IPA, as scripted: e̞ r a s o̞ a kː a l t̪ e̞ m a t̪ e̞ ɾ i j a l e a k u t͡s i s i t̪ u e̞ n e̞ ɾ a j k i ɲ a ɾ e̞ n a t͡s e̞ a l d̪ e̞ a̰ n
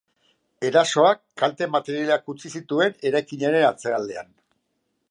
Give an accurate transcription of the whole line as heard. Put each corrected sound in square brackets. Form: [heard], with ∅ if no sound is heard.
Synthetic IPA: e̞ [ɾ] a s o̞ a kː a l t̪ e̞ m a t̪ e̞ ɾ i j a l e a k u t͡s i s i t̪ u e̞ n e̞ ɾ a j k i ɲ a ɾ e̞ n a t͡s e̞ a l d̪ e̞ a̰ n